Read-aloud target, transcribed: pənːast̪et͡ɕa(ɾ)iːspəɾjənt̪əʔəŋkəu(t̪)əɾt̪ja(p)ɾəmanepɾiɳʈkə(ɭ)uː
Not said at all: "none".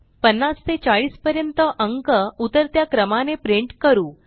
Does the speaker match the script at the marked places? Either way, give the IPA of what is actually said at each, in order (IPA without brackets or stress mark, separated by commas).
ɭ, t̪, k, ɾ